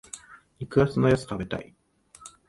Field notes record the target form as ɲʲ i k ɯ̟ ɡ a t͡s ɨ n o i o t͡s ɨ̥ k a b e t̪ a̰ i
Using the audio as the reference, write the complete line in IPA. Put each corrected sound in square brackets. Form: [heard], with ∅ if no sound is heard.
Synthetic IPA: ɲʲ i k ɯ̟ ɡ a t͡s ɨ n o [j] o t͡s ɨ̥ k a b e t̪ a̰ i